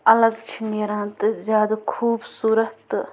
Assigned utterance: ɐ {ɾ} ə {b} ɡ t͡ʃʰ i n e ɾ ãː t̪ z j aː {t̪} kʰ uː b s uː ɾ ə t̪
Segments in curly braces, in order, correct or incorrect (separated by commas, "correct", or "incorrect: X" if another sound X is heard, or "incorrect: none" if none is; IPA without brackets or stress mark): incorrect: l, incorrect: none, incorrect: d̪